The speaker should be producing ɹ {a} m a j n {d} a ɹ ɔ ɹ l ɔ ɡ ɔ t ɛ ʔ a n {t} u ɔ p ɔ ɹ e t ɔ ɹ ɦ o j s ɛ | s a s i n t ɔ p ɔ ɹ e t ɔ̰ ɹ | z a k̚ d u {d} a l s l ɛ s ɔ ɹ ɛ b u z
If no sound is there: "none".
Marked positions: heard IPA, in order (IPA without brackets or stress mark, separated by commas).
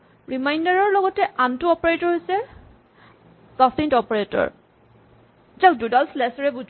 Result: i, d, t, d